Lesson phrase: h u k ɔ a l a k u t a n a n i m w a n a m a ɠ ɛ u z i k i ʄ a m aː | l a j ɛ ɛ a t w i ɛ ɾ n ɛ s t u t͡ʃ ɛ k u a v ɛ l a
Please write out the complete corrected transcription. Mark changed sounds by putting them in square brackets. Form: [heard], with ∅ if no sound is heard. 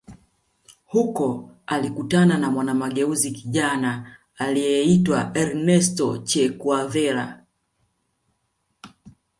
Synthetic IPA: h u k ɔ a l [i] k u t a n a n [a] m w a n a m a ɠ ɛ u z i k i ʄ a [n] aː | l [i] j ɛ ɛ [i] t w [a] ɛ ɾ n ɛ s t [ɔ] t͡ʃ ɛ k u a v ɛ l a